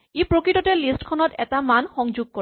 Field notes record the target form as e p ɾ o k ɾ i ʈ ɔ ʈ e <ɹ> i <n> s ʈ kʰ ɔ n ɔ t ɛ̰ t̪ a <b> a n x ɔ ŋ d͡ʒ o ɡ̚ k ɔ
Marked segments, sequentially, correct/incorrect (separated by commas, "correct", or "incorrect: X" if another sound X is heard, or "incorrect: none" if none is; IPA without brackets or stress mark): incorrect: l, incorrect: none, incorrect: m